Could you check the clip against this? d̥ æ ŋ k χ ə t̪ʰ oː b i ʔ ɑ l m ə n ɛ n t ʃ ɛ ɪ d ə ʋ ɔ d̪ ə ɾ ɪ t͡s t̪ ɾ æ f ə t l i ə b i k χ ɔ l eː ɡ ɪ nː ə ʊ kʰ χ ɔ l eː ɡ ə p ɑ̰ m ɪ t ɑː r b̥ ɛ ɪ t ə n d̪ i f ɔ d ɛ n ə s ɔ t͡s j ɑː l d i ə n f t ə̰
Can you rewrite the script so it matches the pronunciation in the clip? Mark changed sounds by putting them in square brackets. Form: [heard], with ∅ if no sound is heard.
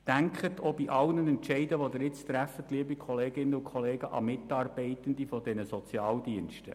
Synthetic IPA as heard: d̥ æ ŋ k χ ə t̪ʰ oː b i ʔ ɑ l [n] ə n ɛ n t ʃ ɛ ɪ d ə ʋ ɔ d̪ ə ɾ ɪ t͡s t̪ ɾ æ f ə t l i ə b i k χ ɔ l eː ɡ ɪ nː ə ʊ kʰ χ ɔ l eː ɡ ə [ʔ] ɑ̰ m ɪ t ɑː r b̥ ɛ ɪ t ə n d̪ i f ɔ d ɛ n ə s ɔ t͡s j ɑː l d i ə n [ʃ] t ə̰

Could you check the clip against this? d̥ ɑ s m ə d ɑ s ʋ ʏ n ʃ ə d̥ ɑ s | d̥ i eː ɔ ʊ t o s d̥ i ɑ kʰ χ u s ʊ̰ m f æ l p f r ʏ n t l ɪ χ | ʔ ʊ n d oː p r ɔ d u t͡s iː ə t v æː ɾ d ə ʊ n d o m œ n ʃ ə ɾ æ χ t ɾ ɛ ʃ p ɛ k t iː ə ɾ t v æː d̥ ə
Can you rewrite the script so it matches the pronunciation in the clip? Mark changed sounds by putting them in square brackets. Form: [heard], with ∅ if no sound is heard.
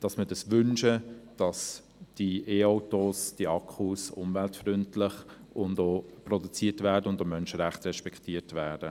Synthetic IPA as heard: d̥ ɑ s m ə d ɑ s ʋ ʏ n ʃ ə d̥ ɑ s | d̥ i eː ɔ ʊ t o s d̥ i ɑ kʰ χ u s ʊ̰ m [v] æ l [t] f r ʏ n t l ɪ χ | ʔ ʊ n d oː p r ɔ d u t͡s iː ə t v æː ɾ d ə ʊ n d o m œ n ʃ ə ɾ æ χ t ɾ ɛ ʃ p ɛ k t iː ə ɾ t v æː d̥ ə

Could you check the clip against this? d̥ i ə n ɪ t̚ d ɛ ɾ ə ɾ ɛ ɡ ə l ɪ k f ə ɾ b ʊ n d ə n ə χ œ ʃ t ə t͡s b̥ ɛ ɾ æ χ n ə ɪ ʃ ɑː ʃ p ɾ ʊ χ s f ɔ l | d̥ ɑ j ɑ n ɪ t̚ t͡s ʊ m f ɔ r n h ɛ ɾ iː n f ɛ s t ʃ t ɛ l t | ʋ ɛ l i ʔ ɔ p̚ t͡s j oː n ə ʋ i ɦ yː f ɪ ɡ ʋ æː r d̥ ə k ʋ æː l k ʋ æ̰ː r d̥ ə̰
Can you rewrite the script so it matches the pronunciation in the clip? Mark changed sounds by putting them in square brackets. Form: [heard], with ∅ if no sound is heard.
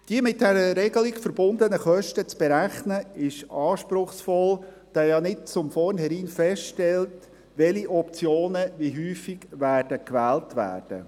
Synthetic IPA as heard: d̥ i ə [m] ɪ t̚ d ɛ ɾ ə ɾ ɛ ɡ ə l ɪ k f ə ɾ b ʊ n d ə n ə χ œ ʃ t ə t͡s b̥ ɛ ɾ æ χ n ə ɪ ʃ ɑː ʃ p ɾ ʊ χ s f ɔ l | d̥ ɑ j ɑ n ɪ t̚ t͡s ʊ m f ɔ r n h ɛ ɾ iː n f ɛ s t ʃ t ɛ l t | ʋ ɛ l i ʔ ɔ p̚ t͡s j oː n ə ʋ i ɦ yː f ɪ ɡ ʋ æː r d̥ ə k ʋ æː l [t] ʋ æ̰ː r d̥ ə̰

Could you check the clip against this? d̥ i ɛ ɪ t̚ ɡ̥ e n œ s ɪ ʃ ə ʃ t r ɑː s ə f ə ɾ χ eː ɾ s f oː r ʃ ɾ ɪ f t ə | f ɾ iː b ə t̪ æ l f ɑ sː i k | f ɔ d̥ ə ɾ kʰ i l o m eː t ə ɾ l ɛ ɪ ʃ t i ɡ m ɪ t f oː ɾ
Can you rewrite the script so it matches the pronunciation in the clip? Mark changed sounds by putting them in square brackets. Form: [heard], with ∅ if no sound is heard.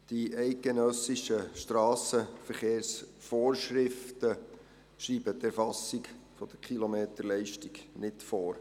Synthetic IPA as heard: d̥ i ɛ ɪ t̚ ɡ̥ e n œ s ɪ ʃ ə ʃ t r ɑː s ə f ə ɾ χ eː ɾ s f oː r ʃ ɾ ɪ f t ə | [ʃ] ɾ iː b ə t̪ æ [ɾ] f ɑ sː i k | f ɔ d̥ ə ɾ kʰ i l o m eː t ə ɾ l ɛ ɪ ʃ t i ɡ [n] ɪ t f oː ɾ

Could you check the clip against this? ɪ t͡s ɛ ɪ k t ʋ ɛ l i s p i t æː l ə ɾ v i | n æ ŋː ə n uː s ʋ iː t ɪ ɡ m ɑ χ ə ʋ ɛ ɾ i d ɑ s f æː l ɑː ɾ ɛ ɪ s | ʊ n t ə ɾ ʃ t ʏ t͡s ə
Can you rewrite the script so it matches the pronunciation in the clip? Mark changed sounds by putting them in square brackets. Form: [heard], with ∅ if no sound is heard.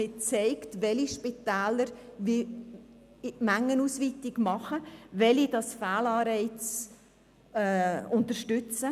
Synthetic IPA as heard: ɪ t͡s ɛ ɪ k t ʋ ɛ l i [ʃ] p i t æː l ə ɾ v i | [m] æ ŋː ə n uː s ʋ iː t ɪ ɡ m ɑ χ ə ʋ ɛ [l] i d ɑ s f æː l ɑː ɾ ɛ ɪ [t͡s] | ʊ n t ə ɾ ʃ t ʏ t͡s ə

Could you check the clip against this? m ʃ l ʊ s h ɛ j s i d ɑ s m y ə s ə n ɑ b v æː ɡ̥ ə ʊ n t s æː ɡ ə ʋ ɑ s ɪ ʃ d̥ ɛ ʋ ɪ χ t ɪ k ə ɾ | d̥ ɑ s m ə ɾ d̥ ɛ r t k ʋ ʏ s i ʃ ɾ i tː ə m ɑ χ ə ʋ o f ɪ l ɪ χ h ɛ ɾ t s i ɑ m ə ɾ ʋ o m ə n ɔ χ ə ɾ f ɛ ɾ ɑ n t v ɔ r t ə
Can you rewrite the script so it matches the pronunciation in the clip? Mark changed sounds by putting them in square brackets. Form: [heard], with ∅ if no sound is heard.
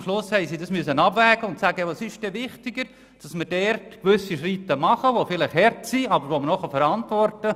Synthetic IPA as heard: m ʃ l ʊ s h ɛ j s i d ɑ s m y ə s ə n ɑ b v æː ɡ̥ ə ʊ n t s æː ɡ ə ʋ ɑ s ɪ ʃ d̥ ɛ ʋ ɪ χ t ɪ [ɡ] ə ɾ | d̥ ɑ s m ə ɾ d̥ ɛ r t k ʋ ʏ s i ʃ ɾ i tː ə m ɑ χ ə ʋ o f ɪ l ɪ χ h ɛ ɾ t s i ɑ [b] ə ɾ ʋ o m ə n ɔ χ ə [∅] f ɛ ɾ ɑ n t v ɔ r t ə

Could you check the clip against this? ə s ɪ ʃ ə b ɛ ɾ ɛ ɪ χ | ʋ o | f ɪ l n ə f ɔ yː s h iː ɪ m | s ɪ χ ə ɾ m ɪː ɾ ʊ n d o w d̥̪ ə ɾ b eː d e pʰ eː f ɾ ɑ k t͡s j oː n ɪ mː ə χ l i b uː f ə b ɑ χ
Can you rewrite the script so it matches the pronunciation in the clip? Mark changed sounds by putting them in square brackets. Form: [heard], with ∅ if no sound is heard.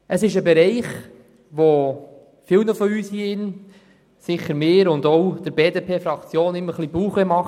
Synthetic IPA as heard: ə s ɪ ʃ ə b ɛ ɾ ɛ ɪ χ | ʋ o | f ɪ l n ə f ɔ yː s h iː ɪ [n] | s ɪ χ ə ɾ m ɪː ɾ ʊ n d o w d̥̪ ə ɾ b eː d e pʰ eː f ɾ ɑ k t͡s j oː n ɪ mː ə χ l i b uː [χ] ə [m] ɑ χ

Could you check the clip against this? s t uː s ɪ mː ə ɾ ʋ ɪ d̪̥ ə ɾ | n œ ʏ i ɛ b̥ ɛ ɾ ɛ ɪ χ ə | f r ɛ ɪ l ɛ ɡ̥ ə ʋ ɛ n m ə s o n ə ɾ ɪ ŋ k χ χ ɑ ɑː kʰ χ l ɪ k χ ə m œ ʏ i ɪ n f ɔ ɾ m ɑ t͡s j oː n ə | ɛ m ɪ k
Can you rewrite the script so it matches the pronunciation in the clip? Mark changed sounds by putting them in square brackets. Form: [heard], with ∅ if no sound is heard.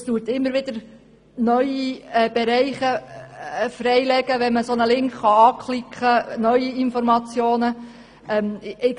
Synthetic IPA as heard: s t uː [t] ɪ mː ə ɾ ʋ ɪ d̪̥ ə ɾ | n œ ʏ i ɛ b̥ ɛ ɾ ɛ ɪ χ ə | f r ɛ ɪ l ɛ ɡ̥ ə ʋ ɛ n m ə s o n ə [l] ɪ ŋ k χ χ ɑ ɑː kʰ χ l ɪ k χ ə [n] œ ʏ i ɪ n f ɔ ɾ m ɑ t͡s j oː n ə | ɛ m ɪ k

